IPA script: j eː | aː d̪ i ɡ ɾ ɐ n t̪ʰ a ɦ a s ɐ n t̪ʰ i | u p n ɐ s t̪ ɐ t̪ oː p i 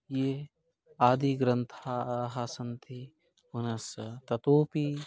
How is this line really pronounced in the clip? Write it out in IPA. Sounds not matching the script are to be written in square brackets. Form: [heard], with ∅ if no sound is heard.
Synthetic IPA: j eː | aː d̪ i ɡ ɾ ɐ n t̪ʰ a ɦ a s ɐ n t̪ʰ i | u [∅] n ɐ s t̪ ɐ t̪ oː p i